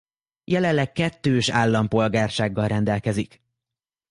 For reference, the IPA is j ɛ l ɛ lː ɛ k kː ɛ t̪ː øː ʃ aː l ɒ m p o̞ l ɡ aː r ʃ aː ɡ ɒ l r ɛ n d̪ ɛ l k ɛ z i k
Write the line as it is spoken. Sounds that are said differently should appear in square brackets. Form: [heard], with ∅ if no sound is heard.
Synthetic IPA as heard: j ɛ l ɛ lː ɛ k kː ɛ t̪ː øː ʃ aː [lː] ɒ m p o̞ l ɡ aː r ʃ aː [ɡː] ɒ l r ɛ n d̪ ɛ l k ɛ z i k